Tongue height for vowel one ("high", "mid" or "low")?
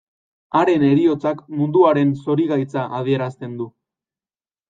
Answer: low